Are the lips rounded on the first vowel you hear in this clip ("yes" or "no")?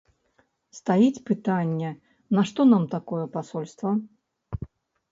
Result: no